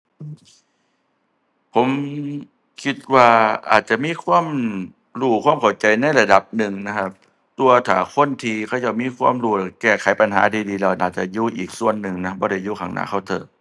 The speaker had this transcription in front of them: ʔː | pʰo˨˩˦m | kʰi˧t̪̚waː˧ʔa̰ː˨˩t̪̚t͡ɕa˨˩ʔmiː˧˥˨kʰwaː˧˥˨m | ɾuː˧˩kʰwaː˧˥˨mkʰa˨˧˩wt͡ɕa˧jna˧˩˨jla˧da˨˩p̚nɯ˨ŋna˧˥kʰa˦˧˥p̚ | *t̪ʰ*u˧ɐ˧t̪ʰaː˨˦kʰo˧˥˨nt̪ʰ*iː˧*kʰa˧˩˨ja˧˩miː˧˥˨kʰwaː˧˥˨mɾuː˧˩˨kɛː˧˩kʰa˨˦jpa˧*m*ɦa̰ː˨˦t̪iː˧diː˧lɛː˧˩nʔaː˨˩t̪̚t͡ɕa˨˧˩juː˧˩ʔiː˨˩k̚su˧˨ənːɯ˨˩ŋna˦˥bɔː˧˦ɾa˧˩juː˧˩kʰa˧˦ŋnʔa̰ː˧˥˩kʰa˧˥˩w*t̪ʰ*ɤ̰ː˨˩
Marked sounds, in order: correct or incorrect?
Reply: incorrect, correct, incorrect, correct

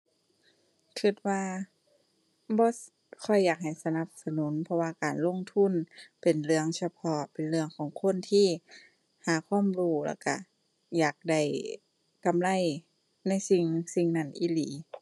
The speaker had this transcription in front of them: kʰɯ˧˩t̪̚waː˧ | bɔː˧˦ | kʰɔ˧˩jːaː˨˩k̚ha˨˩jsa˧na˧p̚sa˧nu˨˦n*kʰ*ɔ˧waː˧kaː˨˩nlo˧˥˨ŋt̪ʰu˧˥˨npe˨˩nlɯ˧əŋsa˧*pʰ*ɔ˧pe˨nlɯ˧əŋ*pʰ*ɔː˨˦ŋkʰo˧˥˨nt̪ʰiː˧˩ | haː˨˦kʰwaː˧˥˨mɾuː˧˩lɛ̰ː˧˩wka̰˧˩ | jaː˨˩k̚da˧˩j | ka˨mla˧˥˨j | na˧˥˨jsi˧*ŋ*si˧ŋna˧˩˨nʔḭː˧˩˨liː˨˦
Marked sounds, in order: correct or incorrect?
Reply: incorrect, correct, incorrect, correct

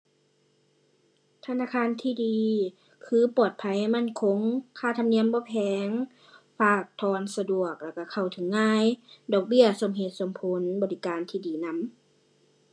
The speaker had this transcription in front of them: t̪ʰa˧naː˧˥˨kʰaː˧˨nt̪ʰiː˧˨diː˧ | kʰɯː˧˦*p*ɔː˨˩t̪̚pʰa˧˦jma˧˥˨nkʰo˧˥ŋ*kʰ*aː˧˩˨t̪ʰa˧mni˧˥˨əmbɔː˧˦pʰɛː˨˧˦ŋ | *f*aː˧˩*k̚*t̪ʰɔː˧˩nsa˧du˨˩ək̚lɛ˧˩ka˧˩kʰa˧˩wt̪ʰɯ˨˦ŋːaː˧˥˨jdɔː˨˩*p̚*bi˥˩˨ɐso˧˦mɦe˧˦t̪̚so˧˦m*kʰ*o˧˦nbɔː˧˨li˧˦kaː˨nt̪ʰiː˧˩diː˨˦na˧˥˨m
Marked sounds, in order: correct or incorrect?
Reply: correct, correct, correct, correct, incorrect, incorrect

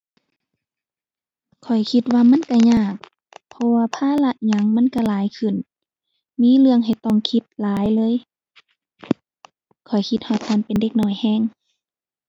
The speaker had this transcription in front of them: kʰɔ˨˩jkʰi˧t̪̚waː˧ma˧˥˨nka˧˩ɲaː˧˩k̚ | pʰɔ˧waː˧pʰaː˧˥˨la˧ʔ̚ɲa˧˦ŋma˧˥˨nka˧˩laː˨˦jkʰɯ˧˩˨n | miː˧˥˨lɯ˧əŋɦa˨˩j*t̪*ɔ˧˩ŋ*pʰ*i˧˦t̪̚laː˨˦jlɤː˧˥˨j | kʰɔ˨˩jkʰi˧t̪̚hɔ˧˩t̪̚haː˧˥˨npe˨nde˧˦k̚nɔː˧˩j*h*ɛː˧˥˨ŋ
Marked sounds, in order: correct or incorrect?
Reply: correct, incorrect, correct

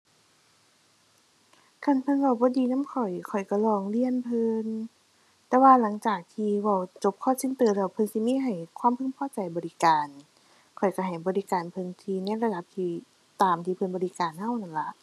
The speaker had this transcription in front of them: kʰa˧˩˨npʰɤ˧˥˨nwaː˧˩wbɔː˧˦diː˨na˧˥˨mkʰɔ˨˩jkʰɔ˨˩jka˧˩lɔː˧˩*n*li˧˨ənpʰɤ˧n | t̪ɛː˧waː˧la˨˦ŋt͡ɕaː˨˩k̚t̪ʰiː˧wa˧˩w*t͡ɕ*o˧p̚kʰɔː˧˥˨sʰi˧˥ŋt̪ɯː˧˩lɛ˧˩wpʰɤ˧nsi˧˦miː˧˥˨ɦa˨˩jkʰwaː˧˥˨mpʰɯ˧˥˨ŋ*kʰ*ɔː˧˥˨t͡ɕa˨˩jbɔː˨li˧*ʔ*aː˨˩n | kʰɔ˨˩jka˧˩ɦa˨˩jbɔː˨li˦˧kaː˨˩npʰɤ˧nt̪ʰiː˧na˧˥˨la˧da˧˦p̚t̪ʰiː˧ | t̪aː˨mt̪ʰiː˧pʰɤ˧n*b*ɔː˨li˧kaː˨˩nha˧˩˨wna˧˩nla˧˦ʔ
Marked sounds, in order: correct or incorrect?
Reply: incorrect, correct, incorrect, incorrect, correct

